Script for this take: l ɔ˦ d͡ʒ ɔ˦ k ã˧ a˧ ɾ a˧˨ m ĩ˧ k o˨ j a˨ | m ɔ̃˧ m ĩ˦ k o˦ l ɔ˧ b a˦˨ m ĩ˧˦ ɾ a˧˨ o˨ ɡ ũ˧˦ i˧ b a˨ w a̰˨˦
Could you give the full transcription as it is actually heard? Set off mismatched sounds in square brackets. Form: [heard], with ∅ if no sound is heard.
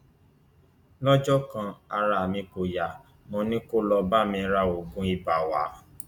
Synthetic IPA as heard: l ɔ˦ d͡ʒ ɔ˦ k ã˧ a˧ ɾ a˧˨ m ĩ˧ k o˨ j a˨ | m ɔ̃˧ [n] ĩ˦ k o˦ l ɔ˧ b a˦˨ m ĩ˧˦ ɾ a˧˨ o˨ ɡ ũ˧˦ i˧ b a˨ w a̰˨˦